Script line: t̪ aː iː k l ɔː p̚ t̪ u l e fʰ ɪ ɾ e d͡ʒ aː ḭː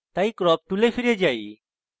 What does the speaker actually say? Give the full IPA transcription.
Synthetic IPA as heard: t̪ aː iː k ɾ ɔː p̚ t̪ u l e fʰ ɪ ɾ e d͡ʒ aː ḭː